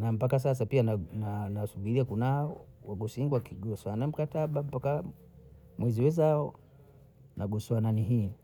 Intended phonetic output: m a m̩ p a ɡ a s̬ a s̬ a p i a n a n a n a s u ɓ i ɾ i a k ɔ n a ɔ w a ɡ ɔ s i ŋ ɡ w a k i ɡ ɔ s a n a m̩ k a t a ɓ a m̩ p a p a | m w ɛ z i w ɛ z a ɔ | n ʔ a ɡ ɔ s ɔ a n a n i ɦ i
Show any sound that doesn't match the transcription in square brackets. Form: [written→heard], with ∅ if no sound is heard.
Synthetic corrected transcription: [m→n] a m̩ p a [ɡ→k] a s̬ a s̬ a p i a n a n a n a s u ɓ i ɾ i a k [ɔ→u] n a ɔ w a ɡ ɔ s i ŋ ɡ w a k i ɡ ɔ s a n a m̩ k a t a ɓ a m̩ p a [p→k] a | m w ɛ z i w ɛ z a ɔ | n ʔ a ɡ ɔ s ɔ a n a n i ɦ i